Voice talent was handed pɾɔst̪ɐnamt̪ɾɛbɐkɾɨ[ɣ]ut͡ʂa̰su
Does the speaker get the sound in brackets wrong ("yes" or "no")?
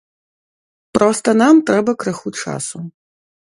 yes